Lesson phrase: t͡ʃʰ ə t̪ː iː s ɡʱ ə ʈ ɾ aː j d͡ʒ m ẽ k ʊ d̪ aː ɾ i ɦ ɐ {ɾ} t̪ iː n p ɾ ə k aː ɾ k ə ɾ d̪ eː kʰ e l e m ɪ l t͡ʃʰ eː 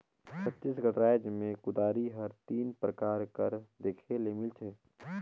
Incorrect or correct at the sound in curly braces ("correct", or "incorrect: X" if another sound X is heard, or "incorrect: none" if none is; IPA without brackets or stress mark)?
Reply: correct